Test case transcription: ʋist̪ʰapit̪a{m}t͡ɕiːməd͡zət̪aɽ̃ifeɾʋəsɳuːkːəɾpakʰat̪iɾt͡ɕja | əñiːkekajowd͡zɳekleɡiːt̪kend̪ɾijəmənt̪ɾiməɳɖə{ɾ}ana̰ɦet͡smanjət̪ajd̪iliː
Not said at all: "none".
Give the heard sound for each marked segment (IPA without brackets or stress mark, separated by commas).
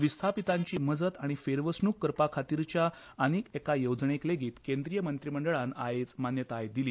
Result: ɲ, ɭ